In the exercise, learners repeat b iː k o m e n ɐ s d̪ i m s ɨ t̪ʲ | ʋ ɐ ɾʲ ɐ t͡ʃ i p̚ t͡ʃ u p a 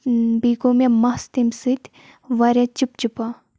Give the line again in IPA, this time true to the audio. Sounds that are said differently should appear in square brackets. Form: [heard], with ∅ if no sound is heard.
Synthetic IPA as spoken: b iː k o m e [m] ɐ s [t̪] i m s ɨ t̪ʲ | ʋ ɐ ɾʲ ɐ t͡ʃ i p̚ t͡ʃ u p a